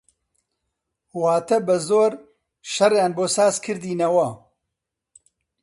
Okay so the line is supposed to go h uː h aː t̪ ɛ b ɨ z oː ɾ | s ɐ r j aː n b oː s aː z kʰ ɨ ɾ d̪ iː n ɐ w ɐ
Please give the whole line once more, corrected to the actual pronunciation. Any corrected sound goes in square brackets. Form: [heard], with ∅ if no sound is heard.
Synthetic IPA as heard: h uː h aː t̪ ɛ b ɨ z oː ɾ | [ʃ] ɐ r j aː n b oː s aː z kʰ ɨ ɾ d̪ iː n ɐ w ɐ